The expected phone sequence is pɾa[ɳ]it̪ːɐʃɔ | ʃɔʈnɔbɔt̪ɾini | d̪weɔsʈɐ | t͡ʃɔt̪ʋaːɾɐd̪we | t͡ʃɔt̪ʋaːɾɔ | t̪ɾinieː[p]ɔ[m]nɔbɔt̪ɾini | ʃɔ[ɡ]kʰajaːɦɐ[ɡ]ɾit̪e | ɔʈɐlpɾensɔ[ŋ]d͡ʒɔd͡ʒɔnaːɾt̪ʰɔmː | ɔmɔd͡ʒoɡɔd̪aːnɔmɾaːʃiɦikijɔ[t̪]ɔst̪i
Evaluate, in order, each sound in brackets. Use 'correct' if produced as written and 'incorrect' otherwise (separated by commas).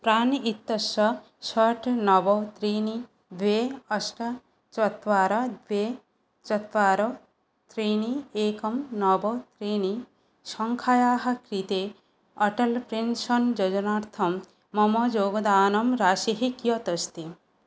incorrect, incorrect, correct, incorrect, incorrect, incorrect, correct